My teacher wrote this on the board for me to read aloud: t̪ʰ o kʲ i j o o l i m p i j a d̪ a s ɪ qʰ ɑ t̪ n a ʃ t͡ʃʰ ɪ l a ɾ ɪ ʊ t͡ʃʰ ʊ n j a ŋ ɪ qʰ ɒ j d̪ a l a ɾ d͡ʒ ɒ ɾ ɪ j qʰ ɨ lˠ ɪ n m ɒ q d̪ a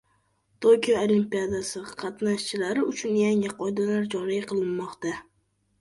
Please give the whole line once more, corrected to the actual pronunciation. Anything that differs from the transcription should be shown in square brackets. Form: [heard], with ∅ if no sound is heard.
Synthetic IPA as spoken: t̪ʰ o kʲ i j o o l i m p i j a d̪ a s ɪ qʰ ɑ t̪ n a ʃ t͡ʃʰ ɪ l a ɾ ɪ ʊ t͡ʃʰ ʊ n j a ŋ ɪ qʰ ɒ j d̪ a l a ɾ d͡ʒ ɒ ɾ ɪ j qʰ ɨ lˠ ɪ n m ɒ q [t̪] a